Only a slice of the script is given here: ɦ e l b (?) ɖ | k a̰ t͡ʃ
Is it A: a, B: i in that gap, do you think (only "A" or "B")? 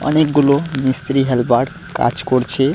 A